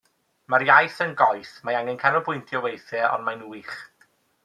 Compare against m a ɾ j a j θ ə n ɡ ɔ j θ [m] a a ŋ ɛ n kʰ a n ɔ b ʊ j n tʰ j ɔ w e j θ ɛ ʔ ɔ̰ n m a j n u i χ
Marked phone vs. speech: correct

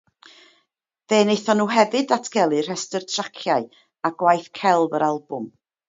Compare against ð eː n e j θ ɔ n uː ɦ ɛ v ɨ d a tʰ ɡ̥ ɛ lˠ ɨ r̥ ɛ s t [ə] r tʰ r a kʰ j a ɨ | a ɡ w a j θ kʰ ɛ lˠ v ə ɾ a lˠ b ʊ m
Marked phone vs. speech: correct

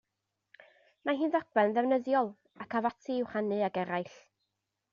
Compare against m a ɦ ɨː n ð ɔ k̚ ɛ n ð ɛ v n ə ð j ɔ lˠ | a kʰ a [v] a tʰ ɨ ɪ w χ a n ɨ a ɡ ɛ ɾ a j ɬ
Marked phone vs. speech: correct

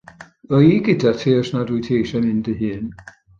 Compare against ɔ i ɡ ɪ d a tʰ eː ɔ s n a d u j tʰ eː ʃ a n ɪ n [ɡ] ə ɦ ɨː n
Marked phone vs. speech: incorrect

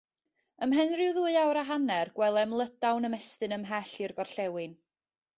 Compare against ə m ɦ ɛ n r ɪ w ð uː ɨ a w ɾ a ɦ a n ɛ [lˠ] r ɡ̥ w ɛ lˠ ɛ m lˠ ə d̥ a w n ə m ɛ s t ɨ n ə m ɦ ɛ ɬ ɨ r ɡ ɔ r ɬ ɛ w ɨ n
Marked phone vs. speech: incorrect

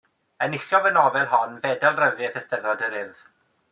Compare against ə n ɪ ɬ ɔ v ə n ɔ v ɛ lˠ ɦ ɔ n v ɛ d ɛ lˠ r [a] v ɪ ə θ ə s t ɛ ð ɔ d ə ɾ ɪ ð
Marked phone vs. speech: incorrect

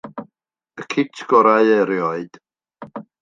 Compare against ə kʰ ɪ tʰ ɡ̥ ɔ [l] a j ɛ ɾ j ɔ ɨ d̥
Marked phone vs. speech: incorrect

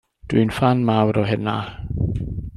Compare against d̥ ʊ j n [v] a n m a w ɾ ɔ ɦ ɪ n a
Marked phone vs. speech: incorrect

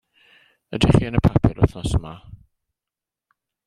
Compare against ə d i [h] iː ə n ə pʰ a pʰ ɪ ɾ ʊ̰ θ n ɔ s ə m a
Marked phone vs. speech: incorrect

